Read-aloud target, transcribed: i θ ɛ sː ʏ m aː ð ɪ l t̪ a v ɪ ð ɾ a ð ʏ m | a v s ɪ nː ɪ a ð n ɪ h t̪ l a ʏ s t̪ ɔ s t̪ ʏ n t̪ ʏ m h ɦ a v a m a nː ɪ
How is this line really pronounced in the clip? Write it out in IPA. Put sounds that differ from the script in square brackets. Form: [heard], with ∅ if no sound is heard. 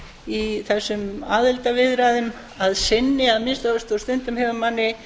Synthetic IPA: i θ ɛ sː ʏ m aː ð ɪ l t̪ a v ɪ ð ɾ a ð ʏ m | a [ð] s ɪ nː ɪ a ð [m] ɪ [s] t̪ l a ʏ s t̪ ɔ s t̪ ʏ n t̪ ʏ m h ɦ [ɛ] v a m a nː ɪ